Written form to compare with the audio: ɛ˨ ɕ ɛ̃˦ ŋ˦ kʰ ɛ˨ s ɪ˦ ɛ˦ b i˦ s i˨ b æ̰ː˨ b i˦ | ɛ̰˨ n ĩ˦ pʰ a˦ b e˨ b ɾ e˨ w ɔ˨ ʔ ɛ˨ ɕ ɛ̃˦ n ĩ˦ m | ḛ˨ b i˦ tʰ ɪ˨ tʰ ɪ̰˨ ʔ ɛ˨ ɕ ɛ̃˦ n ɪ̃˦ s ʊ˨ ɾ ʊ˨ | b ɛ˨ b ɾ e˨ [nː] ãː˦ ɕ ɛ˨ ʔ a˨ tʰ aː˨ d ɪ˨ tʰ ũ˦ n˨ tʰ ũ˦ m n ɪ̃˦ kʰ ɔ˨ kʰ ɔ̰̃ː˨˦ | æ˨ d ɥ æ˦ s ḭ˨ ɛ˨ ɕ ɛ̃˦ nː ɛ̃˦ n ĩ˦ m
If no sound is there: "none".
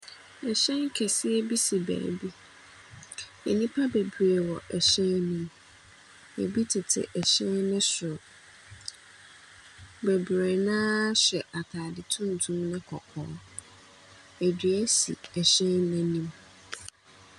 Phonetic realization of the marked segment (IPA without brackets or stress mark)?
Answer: n